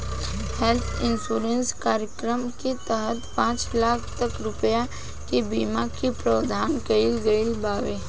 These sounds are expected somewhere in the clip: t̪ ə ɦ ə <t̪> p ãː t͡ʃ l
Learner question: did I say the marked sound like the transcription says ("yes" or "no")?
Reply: yes